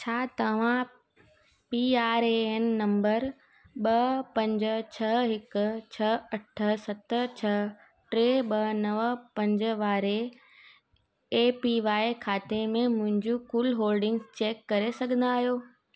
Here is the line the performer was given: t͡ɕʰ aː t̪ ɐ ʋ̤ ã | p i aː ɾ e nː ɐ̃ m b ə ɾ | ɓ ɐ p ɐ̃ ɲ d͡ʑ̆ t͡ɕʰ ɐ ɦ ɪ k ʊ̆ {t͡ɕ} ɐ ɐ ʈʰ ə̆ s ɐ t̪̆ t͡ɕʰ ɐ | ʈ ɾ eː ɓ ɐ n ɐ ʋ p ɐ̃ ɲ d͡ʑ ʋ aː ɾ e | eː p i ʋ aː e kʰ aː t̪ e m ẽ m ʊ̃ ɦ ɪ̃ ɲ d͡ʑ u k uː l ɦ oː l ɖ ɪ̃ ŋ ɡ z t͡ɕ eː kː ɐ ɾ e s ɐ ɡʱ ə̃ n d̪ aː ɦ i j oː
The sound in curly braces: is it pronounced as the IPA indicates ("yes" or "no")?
no